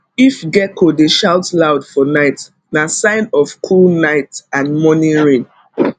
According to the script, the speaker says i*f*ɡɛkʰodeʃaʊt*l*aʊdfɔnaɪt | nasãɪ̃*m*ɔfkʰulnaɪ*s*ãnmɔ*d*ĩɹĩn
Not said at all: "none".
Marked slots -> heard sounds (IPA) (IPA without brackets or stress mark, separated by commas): f, l, n, t, n